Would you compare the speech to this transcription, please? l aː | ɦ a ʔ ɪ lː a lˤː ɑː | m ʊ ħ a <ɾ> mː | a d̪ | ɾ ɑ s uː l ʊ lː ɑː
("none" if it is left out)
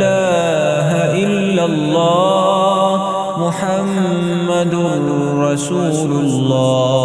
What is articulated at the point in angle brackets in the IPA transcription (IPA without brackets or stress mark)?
none